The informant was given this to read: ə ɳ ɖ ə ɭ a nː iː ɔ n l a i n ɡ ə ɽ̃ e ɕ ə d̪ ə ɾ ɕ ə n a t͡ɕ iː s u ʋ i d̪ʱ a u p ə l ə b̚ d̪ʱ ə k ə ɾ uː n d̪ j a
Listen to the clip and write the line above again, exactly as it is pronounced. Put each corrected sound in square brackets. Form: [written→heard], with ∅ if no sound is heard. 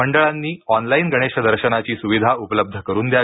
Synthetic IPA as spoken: ə ɳ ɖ ə ɭ a nː iː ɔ n l a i n ɡ ə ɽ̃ e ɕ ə d̪ ə ɾ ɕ ə n a t͡ɕ iː s u ʋ i d̪ʱ a u p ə l ə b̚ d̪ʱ ə k ə ɾ uː n d̪ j a